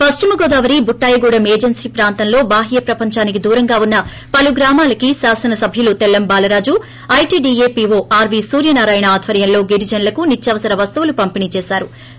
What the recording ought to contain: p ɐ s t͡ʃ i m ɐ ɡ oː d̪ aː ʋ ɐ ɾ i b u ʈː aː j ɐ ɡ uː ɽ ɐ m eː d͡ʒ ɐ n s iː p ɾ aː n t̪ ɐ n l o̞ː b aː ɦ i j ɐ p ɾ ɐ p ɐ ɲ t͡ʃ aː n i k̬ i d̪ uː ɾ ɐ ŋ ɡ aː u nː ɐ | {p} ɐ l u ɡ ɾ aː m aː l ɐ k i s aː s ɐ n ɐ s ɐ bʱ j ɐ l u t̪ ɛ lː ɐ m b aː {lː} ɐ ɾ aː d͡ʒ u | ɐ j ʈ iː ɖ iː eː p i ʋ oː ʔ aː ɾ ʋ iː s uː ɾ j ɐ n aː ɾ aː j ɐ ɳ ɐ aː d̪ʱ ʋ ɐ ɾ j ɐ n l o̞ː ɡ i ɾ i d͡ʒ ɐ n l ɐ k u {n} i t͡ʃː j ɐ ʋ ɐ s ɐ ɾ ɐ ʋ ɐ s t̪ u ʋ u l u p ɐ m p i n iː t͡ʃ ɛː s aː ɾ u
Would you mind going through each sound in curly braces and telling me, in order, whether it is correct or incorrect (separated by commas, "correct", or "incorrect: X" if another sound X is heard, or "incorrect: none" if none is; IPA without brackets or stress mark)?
correct, incorrect: l, correct